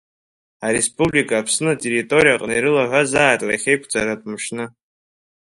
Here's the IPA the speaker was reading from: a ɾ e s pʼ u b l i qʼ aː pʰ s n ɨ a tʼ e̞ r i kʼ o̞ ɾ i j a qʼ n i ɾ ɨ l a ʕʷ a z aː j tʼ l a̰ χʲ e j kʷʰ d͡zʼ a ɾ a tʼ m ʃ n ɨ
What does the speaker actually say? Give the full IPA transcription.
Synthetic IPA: a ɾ e s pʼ u b l i kʼ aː pʰ s n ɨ a tʼ e̞ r i tʼ o̞ ɾ i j a qʼ n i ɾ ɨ l a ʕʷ a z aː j tʼ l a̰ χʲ e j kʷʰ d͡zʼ a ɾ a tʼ m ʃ n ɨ

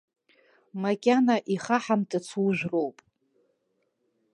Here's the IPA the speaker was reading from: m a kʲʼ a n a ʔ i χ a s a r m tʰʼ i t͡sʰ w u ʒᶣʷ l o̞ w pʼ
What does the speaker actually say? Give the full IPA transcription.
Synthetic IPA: m a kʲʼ a n a ʔ i χ a ħ a m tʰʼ a t͡sʰ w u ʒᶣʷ r o̞ w pʼ

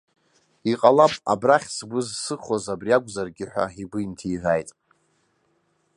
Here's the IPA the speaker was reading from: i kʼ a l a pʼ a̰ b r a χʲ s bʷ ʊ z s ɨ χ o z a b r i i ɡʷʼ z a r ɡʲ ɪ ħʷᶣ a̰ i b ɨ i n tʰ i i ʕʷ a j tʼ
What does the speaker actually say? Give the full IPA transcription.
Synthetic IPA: i qʼ a l a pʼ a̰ b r a χʲ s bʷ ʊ z s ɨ χ o z a b r i a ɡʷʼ z a r ɡʲ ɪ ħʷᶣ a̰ i b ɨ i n tʰ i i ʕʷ a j tʼ

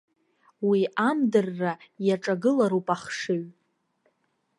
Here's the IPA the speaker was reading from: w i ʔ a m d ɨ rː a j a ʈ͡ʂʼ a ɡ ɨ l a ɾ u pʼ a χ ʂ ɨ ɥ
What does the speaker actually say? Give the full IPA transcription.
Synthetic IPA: w i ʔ a m d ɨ rː a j a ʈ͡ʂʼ a ɡ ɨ l a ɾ u pʼ a χ ʂ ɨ ɥ

